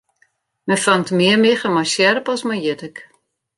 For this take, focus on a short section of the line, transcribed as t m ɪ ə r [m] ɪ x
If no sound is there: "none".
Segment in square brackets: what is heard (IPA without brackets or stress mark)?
m